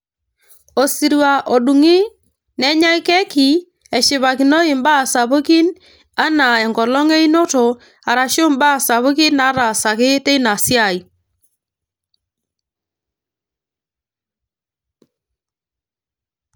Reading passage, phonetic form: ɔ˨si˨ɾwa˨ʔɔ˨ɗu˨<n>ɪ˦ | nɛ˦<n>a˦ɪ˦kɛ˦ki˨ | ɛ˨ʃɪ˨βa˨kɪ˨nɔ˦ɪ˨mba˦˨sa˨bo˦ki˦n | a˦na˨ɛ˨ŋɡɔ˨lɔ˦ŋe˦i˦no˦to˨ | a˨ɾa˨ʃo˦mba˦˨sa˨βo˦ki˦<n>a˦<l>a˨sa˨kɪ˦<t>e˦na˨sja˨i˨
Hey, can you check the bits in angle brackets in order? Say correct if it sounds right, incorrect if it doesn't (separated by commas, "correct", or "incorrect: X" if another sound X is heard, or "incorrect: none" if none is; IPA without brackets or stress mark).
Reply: incorrect: ŋ, incorrect: ɲ, correct, incorrect: ɾ, correct